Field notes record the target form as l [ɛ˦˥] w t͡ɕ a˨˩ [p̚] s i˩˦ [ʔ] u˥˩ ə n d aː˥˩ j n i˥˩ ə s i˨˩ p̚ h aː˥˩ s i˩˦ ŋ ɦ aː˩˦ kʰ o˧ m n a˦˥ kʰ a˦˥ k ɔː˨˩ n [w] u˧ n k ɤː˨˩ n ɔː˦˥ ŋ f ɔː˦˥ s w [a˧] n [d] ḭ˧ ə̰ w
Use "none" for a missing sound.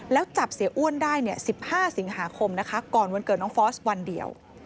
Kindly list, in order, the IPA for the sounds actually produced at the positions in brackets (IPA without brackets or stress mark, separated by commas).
ɛː˦˥, p̚, ʔ, w, a˧, d